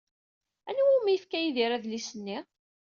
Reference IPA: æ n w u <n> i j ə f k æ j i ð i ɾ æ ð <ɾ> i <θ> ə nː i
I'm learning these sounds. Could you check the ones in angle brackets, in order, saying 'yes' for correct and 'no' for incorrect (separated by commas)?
no, no, no